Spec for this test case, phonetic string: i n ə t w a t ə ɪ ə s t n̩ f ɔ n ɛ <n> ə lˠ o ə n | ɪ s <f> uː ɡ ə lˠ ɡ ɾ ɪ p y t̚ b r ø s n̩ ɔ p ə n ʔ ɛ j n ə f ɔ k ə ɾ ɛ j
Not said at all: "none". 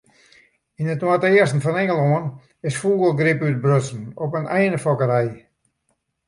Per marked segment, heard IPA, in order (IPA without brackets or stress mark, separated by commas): ŋ, f